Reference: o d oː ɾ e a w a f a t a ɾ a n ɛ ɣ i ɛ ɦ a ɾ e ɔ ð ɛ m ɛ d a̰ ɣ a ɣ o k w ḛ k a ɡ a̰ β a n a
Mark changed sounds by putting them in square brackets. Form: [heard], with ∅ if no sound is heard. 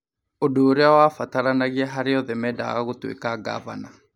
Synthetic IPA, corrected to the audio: o d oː ɾ e a w a f a t a ɾ a n [a] ɣ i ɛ ɦ a ɾ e ɔ ð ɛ m ɛ d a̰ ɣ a ɣ o [t] w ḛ k a ɡ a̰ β a n a